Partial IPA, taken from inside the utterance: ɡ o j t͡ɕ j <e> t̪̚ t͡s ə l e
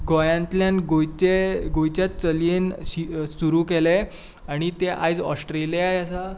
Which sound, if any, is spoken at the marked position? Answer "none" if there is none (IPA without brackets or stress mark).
a